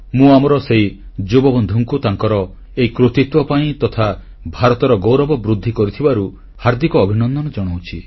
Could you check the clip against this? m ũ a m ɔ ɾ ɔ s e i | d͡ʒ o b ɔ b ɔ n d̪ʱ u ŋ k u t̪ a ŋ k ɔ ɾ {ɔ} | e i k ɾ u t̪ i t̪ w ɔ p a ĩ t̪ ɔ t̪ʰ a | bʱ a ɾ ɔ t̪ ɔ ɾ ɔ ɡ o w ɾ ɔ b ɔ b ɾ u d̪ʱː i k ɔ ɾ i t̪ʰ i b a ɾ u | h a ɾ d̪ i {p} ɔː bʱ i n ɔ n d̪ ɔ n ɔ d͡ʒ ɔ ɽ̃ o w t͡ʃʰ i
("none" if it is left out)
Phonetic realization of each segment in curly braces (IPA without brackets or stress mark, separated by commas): ɔ, k